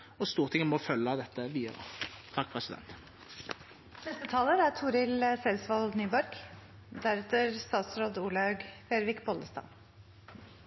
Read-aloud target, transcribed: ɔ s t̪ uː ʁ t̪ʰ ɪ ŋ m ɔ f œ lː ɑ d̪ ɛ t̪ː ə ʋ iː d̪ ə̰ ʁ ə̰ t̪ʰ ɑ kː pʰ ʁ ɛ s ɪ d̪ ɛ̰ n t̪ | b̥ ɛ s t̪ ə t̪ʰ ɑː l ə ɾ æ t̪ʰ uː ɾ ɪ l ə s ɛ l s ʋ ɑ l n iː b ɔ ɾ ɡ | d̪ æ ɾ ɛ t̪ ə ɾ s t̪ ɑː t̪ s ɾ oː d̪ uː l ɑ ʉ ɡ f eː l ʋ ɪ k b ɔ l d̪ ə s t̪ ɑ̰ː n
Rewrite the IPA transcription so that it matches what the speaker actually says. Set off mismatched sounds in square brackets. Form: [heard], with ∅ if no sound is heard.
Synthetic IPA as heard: ɔ s t̪ uː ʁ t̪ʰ ɪ ŋ m ɔ f œ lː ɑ d̪ ɛ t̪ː ə ʋ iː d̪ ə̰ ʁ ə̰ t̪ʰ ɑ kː pʰ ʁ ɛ s ɪ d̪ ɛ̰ n t̪ | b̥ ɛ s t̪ ə t̪ʰ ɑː l ə ɾ æ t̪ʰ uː ɾ ɪ l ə s ɛ l s ʋ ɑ l n [yː] b ɔ ɾ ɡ | d̪ æ ɾ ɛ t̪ ə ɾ s t̪ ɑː t̪ s ɾ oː d̪ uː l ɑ ʉ ɡ f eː [ɾ] ʋ ɪ k b ɔ l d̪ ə s t̪ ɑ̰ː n